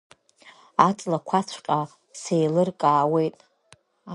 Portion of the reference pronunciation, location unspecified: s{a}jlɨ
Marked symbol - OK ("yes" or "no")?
no